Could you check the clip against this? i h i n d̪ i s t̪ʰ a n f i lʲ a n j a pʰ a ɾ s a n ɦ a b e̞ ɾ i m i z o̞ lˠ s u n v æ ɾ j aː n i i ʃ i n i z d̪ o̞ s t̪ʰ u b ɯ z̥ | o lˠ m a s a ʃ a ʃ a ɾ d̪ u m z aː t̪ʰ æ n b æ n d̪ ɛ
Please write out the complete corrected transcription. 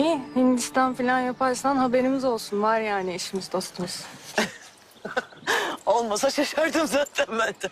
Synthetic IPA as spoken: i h i n d̪ i s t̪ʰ a n f i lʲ a n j a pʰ a ɾ s a n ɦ a b e̞ ɾ i m i z o̞ lˠ s u n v a ɾ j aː n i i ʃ i m i z d̪ o̞ s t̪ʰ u m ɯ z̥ | o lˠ m a s a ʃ a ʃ a ɾ d̪ ɯ m z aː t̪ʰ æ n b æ n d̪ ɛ